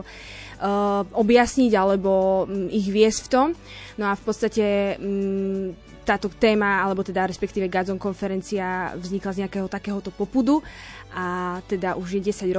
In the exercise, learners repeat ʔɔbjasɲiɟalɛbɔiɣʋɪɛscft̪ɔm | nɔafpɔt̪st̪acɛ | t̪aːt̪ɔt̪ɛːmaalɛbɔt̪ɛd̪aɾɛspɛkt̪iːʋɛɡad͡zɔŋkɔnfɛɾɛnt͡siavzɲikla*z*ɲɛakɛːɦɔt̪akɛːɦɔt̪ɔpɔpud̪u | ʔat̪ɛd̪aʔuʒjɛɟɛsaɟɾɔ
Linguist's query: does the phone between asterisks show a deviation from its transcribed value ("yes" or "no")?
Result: no